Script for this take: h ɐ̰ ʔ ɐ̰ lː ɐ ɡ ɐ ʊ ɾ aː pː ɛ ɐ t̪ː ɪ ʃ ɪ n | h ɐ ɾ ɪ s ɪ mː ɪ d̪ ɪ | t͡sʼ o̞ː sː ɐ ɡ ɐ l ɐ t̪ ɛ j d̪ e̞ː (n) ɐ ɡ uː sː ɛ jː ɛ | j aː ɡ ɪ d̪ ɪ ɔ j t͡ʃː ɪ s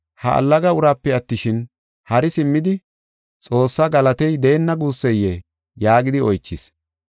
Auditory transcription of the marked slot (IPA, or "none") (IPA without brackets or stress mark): nː